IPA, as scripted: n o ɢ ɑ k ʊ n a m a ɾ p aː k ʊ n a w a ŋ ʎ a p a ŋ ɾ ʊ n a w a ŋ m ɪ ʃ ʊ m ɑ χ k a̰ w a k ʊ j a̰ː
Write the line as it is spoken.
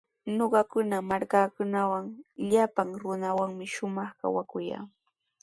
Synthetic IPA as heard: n o ɢ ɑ k ʊ n a m a ɾ k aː k ʊ n a w a ŋ ʎ a p a ŋ ɾ ʊ n a w a ŋ m ɪ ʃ ʊ m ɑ χ k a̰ w a k ʊ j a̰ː